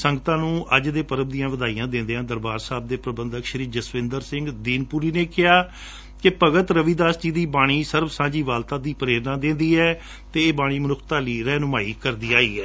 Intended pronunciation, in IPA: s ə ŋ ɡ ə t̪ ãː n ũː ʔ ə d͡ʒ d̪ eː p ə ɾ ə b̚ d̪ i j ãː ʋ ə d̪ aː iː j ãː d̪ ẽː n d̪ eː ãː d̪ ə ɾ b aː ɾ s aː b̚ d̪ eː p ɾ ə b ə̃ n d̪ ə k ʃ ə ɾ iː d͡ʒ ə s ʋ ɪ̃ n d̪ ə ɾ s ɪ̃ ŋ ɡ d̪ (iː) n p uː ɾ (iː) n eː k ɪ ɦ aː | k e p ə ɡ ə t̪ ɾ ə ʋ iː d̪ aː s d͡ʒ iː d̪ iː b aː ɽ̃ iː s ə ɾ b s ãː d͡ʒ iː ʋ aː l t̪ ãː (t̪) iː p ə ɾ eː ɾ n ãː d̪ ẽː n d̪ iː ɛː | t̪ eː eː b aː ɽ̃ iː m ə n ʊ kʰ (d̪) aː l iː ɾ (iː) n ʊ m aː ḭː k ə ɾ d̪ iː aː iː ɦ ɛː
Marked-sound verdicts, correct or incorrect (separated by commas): correct, correct, incorrect, incorrect, incorrect